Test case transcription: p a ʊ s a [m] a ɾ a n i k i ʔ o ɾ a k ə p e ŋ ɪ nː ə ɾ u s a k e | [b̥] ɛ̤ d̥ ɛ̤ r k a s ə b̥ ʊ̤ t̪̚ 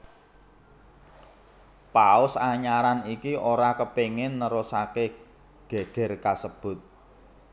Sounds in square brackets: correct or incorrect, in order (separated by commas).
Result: incorrect, incorrect